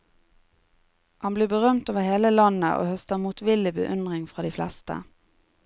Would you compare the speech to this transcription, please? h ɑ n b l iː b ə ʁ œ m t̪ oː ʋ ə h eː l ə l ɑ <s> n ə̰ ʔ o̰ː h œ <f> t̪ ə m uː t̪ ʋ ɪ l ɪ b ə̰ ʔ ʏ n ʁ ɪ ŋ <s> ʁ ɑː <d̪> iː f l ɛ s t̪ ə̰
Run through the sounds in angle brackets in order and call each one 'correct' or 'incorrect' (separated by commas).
incorrect, incorrect, incorrect, correct